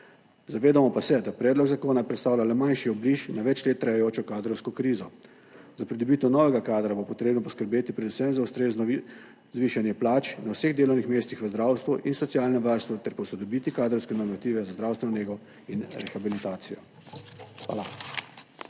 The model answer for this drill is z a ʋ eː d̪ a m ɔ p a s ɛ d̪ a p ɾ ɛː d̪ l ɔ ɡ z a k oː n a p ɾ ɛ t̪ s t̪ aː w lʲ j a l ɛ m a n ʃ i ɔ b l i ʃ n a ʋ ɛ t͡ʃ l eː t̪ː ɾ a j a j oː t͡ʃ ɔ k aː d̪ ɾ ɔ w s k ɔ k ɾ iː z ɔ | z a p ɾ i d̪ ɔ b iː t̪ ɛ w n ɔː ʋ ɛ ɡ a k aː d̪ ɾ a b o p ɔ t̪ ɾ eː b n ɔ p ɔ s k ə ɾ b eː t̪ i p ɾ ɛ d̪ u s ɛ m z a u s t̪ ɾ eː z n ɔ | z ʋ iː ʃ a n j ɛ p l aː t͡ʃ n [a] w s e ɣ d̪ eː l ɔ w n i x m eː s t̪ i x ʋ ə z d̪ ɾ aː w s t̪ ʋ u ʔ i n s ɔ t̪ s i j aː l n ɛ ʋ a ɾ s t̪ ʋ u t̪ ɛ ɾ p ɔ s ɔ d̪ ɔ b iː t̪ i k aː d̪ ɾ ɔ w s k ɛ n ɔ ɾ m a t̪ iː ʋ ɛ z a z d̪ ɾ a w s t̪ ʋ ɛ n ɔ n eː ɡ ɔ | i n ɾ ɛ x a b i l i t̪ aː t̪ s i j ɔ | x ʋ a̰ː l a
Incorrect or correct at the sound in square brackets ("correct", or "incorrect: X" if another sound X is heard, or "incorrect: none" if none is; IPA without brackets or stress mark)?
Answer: correct